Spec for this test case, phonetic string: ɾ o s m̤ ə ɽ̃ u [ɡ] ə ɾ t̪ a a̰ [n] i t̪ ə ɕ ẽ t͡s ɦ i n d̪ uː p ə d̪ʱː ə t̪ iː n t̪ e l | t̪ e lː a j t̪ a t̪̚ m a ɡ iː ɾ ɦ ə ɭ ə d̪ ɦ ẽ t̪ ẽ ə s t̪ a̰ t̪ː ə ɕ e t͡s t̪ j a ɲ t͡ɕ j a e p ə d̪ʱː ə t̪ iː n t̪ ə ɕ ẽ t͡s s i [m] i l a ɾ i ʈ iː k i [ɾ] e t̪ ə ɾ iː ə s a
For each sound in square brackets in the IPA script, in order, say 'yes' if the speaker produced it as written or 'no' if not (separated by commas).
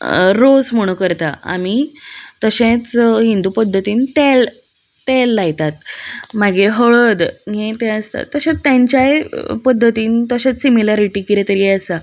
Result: no, no, yes, yes